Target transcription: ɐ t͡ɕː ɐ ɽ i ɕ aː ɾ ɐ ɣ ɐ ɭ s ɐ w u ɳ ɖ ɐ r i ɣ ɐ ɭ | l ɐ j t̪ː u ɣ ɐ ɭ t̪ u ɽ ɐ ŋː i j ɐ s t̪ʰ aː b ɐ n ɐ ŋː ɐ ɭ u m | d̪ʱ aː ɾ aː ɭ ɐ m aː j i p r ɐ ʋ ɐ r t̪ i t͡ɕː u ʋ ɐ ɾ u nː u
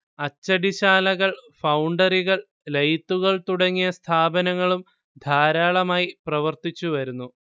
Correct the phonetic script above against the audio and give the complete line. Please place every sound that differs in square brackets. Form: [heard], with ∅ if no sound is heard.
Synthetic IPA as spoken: ɐ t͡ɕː ɐ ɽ i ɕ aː [l] ɐ ɣ ɐ ɭ [f] ɐ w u ɳ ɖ ɐ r i ɣ ɐ ɭ | l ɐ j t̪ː u ɣ ɐ ɭ t̪ u ɽ ɐ ŋː i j ɐ s t̪ʰ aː b ɐ n ɐ ŋː ɐ ɭ u m | d̪ʱ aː ɾ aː ɭ ɐ m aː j i p r ɐ ʋ ɐ r t̪ i t͡ɕː u ʋ ɐ ɾ u nː u